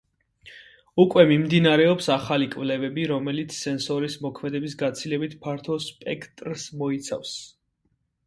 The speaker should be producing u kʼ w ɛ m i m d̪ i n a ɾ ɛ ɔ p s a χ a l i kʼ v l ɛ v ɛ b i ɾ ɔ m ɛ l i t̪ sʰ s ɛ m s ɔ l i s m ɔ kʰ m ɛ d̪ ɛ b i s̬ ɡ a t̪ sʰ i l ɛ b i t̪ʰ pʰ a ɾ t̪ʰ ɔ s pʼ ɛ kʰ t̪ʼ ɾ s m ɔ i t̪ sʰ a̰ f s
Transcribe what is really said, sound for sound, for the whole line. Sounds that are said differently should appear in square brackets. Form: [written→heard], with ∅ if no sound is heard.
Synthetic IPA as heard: u kʼ w ɛ m i m d̪ i n a ɾ ɛ ɔ p s a χ a l i kʼ v l ɛ v ɛ b i ɾ ɔ m ɛ l i t̪ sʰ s ɛ [m→n] s ɔ [l→ɾ] i s m ɔ kʰ m ɛ d̪ ɛ b i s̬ ɡ a t̪ sʰ i l ɛ b i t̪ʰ pʰ a ɾ t̪ʰ ɔ s pʼ ɛ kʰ t̪ʼ ɾ s m ɔ i t̪ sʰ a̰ f s